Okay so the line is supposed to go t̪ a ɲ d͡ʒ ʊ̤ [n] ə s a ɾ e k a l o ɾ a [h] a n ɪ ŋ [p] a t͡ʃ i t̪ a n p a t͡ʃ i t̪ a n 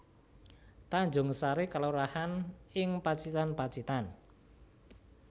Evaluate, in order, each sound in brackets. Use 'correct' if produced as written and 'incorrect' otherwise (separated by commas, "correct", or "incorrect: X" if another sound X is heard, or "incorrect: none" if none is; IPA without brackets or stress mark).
incorrect: ŋ, correct, correct